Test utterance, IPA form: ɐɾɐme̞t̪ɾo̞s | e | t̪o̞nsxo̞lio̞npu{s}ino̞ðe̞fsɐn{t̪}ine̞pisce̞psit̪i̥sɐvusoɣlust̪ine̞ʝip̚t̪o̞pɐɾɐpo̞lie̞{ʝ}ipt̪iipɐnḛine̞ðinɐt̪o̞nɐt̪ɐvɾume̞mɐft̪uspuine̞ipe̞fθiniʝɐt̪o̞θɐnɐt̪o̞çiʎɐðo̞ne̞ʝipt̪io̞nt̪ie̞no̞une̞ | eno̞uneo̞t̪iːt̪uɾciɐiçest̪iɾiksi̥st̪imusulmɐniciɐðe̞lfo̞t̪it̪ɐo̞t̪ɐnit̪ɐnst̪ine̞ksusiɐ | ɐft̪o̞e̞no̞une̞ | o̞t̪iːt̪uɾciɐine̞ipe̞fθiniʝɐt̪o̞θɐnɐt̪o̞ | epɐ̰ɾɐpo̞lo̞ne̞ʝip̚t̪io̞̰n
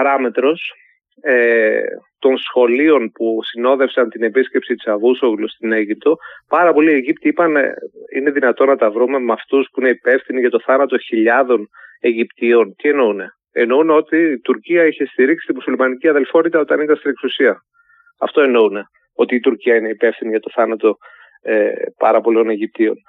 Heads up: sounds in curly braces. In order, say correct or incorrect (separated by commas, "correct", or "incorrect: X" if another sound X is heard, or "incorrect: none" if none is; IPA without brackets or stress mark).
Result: correct, correct, correct